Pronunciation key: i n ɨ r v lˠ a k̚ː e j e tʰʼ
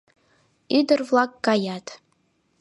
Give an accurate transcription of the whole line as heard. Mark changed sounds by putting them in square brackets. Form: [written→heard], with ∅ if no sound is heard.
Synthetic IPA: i [n→d] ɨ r v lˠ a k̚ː [e→a] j [e→a] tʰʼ